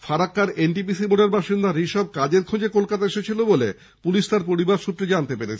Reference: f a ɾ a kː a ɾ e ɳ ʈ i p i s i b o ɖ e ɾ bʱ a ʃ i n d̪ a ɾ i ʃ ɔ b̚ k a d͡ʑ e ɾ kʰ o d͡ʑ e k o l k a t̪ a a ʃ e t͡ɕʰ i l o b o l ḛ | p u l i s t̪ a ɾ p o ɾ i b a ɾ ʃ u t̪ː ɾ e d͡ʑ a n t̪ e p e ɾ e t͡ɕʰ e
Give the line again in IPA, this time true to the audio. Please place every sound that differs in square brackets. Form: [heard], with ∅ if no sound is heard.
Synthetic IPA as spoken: f a ɾ a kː a ɾ e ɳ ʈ i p i s i b o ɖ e ɾ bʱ a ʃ i n d̪ a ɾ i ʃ ɔ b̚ k a d͡ʑ e ɾ kʰ o d͡ʑ e k o l k a t̪ a [e] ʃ e t͡ɕʰ i l o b o l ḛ | p u l i [ʃ] t̪ a ɾ p o ɾ i b a ɾ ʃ u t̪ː ɾ e d͡ʑ a n t̪ e p e ɾ e t͡ɕʰ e